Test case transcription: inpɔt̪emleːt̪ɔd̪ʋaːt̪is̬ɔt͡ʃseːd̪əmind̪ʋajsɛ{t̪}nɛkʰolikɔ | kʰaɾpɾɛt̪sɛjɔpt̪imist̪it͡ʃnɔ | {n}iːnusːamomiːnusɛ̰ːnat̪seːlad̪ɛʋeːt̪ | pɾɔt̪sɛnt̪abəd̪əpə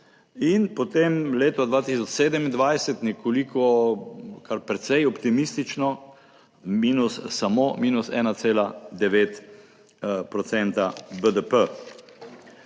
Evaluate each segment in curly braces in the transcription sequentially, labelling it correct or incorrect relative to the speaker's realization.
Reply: correct, incorrect: m

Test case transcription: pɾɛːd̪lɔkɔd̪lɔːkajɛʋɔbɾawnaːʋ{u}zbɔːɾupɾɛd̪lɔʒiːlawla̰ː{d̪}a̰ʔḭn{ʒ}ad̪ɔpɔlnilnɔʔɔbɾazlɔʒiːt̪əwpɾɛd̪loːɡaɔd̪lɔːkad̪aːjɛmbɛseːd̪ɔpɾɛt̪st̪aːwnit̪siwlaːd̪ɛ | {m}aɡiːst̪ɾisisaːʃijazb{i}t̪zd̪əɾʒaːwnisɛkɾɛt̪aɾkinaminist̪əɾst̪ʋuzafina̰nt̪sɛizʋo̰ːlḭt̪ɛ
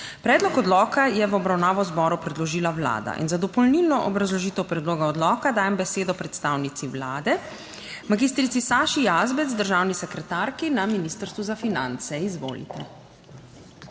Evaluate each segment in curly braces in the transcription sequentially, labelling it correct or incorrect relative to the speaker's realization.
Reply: incorrect: ɔ, correct, incorrect: z, correct, incorrect: ɛ

